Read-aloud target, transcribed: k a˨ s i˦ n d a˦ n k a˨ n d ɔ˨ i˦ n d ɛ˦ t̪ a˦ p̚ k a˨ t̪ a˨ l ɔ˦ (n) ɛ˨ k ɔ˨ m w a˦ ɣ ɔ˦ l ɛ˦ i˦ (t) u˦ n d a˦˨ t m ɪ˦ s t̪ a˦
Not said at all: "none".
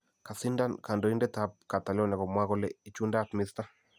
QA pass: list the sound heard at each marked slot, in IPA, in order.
n, t͡ʃ

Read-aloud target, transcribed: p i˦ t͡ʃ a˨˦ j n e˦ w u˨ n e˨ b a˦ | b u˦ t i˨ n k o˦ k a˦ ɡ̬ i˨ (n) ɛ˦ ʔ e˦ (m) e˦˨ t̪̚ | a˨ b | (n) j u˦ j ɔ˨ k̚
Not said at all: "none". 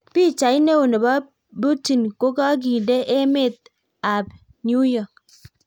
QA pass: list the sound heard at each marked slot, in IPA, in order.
d, m, n

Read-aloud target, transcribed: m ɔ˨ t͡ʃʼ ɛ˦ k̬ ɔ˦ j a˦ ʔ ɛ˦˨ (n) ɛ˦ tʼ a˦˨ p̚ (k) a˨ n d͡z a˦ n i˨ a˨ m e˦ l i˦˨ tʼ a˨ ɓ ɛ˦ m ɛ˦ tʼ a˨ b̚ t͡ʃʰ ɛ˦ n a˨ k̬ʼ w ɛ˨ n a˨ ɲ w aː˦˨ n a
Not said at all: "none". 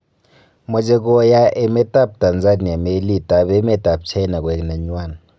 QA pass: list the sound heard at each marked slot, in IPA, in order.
m, t

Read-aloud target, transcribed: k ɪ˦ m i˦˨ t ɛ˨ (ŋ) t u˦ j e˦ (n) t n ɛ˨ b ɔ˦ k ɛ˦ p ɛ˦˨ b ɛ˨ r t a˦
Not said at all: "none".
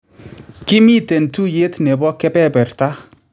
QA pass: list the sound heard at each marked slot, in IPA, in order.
n, none

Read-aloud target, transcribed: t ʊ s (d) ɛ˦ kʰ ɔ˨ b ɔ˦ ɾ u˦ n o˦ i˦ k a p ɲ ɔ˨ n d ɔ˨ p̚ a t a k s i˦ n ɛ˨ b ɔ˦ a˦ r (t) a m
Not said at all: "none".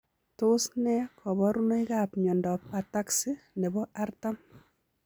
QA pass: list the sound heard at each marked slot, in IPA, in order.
n, t

